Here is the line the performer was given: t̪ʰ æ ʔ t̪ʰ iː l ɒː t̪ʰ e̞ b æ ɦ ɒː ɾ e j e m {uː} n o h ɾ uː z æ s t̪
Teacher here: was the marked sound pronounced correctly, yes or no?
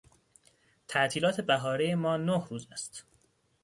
no